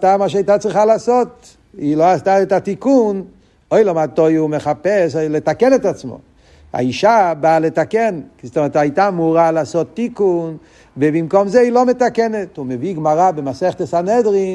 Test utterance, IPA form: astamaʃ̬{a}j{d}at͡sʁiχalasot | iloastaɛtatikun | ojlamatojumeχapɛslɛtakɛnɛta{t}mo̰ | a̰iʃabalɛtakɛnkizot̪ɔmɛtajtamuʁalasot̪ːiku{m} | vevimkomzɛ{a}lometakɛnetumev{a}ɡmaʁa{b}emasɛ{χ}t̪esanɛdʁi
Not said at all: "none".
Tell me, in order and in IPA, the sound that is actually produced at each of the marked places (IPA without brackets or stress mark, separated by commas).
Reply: a, t, t͡s, n, i, i, b, χ